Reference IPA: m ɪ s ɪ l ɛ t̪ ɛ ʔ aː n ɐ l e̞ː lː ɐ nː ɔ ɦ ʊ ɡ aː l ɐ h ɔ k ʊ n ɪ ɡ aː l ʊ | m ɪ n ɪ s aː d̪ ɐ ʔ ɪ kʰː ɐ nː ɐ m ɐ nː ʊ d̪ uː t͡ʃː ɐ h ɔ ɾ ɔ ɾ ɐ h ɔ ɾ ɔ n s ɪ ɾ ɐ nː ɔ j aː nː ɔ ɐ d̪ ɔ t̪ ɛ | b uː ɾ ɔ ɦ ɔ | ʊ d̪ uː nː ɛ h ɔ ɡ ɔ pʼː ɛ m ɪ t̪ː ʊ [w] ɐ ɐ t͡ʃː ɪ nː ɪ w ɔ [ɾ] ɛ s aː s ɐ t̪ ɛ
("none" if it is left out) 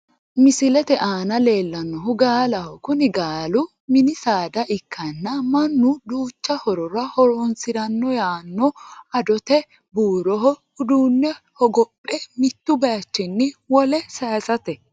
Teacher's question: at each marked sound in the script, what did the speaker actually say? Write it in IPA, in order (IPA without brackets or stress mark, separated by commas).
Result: b, l